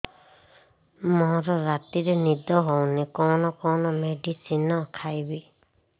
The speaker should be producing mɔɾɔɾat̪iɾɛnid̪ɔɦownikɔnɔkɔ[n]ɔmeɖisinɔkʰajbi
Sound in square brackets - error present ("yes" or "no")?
no